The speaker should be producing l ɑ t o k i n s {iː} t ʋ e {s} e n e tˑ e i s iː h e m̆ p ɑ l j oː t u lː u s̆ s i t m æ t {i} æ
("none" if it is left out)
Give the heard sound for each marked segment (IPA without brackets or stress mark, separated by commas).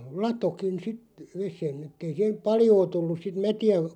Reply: i, s, i